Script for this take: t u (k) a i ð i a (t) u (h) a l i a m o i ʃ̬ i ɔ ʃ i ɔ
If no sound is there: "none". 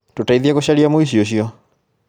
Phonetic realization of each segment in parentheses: t, k, ʃ

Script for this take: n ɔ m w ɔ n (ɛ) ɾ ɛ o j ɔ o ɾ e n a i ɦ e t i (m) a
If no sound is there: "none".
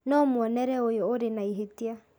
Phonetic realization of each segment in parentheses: ɛ, none

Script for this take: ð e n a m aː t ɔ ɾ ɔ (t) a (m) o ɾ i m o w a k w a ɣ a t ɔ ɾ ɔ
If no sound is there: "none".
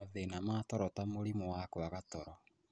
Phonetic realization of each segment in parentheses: t, m

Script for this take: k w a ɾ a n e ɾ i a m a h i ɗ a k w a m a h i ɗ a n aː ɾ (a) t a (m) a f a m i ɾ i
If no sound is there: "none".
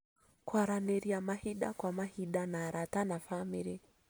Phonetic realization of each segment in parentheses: a, n

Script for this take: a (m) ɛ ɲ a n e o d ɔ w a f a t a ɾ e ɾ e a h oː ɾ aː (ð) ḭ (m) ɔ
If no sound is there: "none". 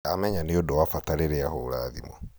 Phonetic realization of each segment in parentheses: m, ð, m

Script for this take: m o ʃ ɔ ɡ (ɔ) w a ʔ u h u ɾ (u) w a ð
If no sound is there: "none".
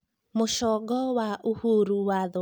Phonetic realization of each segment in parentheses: ɔ, u

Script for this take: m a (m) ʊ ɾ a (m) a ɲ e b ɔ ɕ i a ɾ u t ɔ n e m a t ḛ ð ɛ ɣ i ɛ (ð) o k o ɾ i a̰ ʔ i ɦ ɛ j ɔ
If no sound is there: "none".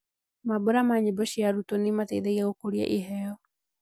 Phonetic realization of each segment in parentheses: b, m, ɣ

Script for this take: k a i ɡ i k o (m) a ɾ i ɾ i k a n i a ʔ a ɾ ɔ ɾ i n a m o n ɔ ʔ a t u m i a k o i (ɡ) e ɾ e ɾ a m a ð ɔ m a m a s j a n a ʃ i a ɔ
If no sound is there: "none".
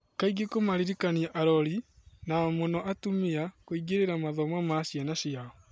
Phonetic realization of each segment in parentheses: m, ɡ

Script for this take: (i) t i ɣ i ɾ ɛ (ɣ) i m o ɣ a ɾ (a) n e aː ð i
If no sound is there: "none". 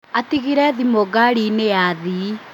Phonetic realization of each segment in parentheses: a, ð, i

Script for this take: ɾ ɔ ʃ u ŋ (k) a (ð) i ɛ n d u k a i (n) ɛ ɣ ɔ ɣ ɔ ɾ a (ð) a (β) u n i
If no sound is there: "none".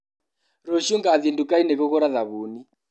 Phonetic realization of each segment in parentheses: ɡ, ð, n, ð, β

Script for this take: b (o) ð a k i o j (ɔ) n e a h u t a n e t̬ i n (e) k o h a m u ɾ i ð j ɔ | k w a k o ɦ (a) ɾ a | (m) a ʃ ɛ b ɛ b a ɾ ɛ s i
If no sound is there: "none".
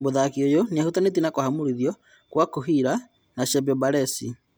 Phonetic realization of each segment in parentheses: o, o, a, i, n

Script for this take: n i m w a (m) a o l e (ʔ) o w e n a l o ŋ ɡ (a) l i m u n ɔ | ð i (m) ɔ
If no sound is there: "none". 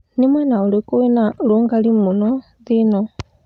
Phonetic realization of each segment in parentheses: n, k, a, n

